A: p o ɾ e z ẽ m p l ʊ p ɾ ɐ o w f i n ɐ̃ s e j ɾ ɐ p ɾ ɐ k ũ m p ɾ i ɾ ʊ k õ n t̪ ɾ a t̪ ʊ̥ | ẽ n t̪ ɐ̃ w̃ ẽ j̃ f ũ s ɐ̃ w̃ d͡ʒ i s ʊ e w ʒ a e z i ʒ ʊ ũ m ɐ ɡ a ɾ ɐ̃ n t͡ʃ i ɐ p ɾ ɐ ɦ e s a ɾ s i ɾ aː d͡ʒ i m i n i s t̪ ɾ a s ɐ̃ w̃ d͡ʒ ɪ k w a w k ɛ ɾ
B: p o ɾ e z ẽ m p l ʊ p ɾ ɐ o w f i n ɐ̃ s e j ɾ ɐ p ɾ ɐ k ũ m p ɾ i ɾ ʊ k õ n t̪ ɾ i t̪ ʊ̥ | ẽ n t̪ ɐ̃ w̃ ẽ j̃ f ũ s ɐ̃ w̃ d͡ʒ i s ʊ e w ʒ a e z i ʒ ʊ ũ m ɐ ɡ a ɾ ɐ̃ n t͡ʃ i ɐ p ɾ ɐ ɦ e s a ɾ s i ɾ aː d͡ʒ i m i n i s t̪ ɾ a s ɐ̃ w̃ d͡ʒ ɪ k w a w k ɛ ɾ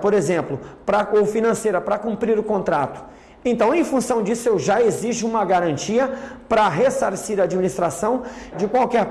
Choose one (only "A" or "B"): A